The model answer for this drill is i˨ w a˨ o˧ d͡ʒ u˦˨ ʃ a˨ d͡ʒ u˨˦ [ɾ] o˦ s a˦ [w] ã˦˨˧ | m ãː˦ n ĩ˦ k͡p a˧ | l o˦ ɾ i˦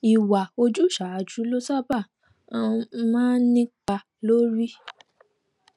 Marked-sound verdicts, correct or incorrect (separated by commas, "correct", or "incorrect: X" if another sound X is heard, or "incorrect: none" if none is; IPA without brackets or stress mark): incorrect: l, incorrect: b